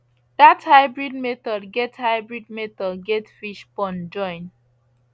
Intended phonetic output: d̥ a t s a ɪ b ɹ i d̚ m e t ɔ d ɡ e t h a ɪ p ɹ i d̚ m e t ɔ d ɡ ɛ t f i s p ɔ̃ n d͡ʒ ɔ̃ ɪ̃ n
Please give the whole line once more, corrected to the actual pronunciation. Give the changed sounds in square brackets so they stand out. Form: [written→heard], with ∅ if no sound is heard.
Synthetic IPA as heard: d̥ a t [s→h] a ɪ b ɹ i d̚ m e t ɔ d ɡ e t h a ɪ [p→b] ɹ i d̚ m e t ɔ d ɡ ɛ t f i [s→ʃ] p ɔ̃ n d͡ʒ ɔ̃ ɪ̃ n